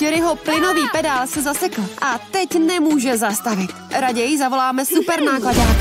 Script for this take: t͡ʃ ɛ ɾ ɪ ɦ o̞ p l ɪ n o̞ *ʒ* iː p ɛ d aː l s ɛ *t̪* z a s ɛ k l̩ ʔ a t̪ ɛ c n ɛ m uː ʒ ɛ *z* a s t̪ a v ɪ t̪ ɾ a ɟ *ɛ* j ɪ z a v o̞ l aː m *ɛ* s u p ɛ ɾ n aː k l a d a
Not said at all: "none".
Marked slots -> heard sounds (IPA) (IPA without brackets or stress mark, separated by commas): v, none, z, ɛ, ɛ